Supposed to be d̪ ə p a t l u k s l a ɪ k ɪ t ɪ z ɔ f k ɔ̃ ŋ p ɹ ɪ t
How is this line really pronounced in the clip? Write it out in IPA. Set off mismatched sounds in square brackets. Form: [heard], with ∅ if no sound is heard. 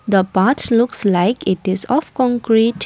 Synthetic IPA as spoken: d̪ ə p a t l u k s l a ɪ k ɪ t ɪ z ɔ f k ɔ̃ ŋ [k] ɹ [i] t